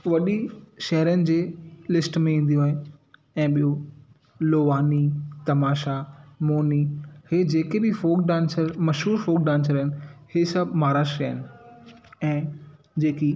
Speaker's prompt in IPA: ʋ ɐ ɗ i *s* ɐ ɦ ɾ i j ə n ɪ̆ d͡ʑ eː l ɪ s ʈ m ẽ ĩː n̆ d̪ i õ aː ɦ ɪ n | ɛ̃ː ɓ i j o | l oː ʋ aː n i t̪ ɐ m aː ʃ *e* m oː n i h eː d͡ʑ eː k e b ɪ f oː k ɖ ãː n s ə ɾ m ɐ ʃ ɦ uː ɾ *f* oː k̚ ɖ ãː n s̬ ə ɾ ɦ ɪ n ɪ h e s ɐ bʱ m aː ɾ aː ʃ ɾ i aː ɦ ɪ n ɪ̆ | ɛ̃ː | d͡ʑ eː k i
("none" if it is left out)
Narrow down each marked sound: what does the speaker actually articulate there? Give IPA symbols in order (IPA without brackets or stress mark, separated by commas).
ʃ, a, f